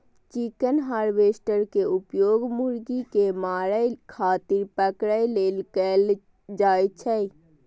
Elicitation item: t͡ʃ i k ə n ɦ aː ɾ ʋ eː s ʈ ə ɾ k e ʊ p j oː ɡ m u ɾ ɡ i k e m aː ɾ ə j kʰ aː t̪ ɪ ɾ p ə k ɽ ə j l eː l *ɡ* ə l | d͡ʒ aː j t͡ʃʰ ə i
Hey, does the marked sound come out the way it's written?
no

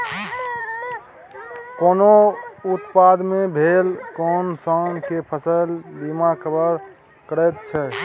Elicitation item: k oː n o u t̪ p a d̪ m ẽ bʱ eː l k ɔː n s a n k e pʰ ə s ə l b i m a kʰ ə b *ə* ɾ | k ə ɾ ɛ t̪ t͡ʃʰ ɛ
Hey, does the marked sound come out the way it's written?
yes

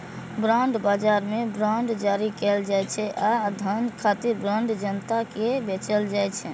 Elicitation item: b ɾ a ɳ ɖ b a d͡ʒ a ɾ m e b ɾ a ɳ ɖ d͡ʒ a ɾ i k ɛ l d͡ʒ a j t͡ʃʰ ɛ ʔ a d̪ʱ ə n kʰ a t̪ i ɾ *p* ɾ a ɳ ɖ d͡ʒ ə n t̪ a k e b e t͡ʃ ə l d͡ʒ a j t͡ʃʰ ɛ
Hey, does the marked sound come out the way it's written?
no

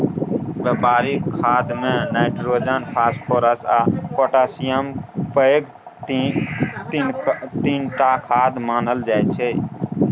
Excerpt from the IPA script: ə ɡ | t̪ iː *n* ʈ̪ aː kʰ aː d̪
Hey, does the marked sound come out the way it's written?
yes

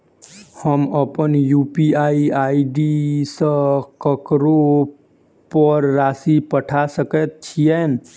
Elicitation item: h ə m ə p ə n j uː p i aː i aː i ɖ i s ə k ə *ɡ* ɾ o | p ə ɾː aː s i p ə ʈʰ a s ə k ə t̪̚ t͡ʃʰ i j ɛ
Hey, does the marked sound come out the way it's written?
no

